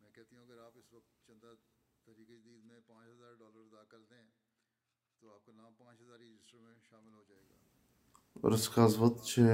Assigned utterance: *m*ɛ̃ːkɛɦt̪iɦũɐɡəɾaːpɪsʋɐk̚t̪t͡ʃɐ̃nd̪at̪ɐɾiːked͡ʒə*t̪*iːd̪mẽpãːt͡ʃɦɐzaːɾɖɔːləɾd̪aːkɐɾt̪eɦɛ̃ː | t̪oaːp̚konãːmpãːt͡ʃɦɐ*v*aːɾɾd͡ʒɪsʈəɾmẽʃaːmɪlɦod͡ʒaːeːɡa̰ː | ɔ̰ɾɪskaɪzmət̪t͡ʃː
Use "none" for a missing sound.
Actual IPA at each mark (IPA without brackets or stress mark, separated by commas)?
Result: m, d̪, z